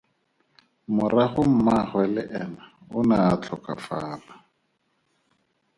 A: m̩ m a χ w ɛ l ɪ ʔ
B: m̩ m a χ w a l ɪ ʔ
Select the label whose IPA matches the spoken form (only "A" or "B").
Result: A